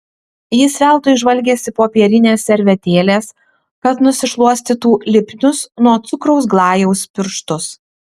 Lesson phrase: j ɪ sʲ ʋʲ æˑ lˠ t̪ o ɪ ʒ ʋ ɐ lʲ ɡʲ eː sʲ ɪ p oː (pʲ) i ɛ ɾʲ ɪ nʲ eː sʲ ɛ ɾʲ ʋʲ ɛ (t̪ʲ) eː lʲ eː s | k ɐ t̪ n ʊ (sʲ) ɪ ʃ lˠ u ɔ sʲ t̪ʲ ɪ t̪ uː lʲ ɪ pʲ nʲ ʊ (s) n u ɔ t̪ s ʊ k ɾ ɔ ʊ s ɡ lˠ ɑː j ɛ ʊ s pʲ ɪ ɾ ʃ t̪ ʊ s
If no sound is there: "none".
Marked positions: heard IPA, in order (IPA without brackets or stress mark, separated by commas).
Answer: pʲ, t̪ʲ, sʲ, s